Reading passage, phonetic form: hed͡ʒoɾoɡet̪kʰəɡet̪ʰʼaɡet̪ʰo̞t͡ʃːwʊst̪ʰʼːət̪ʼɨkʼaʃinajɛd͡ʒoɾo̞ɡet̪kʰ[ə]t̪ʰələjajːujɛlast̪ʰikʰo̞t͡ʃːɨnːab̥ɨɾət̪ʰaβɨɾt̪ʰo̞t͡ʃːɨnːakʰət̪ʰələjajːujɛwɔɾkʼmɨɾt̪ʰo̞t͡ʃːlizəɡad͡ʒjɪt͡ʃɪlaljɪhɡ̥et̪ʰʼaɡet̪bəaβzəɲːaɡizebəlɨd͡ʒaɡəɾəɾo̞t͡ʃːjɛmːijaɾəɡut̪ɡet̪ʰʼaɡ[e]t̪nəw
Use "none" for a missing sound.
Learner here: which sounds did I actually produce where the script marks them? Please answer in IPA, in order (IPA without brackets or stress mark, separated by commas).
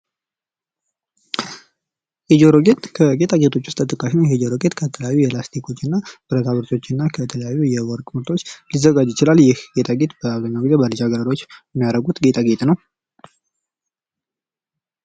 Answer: ə, e